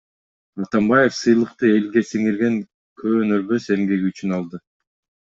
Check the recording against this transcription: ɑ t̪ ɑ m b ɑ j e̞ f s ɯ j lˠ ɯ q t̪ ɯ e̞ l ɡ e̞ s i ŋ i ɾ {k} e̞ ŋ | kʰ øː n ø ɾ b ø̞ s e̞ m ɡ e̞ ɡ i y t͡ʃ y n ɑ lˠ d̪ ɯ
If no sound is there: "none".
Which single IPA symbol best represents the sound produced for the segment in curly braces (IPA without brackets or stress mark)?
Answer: ɡ